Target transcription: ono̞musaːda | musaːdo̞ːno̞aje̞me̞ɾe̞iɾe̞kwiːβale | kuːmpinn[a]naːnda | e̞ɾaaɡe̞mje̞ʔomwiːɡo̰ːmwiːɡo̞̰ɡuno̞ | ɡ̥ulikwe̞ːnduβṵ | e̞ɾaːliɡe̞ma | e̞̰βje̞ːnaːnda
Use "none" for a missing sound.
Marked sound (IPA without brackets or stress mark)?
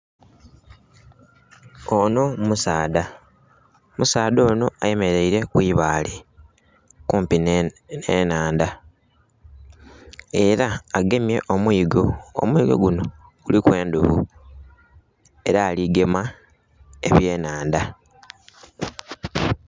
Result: e